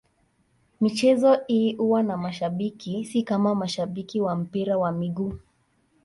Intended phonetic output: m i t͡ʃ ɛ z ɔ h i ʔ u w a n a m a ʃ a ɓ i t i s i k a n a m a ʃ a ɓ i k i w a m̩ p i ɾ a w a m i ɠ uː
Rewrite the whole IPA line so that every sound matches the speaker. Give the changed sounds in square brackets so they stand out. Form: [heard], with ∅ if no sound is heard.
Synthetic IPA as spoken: m i t͡ʃ ɛ z ɔ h i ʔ u w a n a m a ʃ a ɓ i [k] i s i k a [m] a m a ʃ a ɓ i k i w a m̩ p i ɾ a w a m i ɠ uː

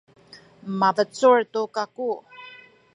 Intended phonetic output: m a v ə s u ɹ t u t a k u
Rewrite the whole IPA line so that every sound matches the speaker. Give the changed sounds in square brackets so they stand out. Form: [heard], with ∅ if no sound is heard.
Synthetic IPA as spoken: m a v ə [t͡s] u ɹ t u [k] a k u

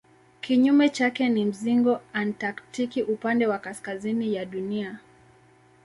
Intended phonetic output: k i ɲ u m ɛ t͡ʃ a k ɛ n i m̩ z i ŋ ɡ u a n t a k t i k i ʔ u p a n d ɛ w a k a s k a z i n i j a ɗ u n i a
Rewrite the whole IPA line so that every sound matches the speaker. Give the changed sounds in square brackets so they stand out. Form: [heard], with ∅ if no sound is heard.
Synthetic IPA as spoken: k i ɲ u m ɛ t͡ʃ a k ɛ n i m̩ z i ŋ ɡ [ɔ] a n t a k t i k i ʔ u p a n d ɛ w a k a s k a z i n i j a ɗ u n i a

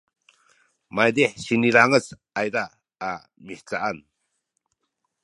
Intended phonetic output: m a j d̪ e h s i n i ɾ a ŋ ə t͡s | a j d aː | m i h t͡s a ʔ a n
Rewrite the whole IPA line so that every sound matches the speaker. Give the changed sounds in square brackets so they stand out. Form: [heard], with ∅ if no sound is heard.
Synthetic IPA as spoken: m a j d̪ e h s i n i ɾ a ŋ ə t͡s | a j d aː | m i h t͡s a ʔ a n

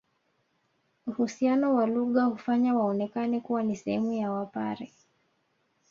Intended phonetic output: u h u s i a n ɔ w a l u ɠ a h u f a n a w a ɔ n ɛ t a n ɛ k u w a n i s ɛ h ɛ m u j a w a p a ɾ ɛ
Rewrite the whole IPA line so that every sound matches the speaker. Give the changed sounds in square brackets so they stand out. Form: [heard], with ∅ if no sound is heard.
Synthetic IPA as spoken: u h u s i a n ɔ w a l u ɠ a h u f a [ɲ] a w a ɔ n ɛ [k] a n ɛ k u w a n i s ɛ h ɛ m u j a w a p a ɾ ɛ

